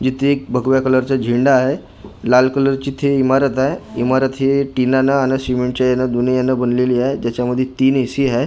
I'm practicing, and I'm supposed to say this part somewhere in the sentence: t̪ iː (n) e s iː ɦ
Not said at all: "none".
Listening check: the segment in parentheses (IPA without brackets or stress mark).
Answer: n